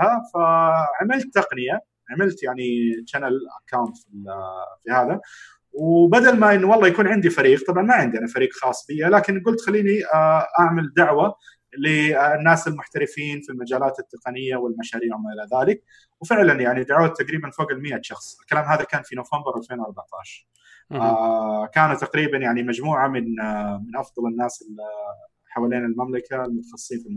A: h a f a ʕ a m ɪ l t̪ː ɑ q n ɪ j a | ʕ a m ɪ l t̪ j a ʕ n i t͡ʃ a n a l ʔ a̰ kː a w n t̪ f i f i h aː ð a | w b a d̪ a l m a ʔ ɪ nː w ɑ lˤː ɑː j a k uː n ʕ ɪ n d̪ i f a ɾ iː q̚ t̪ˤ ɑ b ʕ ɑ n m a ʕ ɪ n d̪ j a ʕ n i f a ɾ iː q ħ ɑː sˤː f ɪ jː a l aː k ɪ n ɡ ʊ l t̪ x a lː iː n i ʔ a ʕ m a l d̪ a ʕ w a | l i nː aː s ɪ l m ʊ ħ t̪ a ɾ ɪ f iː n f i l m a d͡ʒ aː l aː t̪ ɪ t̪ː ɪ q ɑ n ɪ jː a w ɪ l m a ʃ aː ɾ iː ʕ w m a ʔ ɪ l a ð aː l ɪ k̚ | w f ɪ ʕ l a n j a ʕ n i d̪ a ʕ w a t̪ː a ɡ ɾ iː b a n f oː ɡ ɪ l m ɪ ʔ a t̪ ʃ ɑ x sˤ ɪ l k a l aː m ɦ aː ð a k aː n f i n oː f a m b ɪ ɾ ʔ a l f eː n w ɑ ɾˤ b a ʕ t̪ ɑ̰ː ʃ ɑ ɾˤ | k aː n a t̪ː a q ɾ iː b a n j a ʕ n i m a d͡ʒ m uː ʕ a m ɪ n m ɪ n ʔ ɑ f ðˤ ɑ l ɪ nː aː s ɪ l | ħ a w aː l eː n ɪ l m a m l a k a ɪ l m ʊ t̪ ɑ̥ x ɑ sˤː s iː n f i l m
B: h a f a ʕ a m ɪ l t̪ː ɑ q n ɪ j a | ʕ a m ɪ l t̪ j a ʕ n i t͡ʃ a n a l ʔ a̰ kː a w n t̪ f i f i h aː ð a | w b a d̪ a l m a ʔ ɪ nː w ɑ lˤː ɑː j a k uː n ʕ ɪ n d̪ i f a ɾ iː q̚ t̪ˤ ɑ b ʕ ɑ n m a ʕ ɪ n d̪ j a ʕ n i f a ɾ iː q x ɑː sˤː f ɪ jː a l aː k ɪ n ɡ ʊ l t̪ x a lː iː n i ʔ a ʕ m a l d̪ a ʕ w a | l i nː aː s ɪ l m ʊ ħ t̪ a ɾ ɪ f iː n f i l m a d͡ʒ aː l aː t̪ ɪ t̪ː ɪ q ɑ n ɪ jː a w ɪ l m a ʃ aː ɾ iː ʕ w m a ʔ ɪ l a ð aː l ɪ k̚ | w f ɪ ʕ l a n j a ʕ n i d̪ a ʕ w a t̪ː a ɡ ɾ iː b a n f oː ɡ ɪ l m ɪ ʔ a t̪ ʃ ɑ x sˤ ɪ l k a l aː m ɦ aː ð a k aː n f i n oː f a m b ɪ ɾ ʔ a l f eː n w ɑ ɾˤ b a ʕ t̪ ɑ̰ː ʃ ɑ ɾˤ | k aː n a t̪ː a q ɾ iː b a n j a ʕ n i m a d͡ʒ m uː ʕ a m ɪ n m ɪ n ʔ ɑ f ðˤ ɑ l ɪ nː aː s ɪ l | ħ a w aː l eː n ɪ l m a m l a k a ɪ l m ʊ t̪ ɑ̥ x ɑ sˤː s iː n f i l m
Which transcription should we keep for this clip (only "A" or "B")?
B